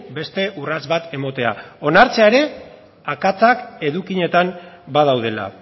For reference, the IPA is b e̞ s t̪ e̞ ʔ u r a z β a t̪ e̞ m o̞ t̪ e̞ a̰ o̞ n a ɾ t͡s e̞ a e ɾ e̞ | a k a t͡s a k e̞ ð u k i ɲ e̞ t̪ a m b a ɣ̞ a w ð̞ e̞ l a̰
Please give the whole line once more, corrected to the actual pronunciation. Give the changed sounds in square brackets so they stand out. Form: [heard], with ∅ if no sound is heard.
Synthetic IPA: b e̞ s t̪ e̞ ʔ u r a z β a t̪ e̞ m o̞ t̪ e̞ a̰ o̞ n a ɾ t͡s e̞ a e ɾ e̞ | a k a t͡s a k e̞ ð u k i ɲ e̞ t̪ a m b a [ð̞] a w ð̞ e̞ l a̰